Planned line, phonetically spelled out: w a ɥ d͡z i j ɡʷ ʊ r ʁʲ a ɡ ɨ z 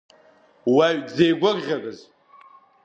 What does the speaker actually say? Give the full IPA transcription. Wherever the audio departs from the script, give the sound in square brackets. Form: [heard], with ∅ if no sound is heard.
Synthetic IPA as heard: w a ɥ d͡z [e] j ɡʷ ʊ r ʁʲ a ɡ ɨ z